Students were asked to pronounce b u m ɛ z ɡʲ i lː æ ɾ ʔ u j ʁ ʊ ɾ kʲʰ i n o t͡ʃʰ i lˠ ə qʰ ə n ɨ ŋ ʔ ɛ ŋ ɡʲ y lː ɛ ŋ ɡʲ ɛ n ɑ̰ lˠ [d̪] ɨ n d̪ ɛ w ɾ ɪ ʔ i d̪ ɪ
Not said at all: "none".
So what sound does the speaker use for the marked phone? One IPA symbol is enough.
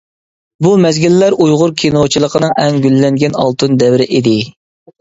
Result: t̪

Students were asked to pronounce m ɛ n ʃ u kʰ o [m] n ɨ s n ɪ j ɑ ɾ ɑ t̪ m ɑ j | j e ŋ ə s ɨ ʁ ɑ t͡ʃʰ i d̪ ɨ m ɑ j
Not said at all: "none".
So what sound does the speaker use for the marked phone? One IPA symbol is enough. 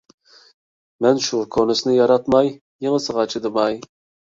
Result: none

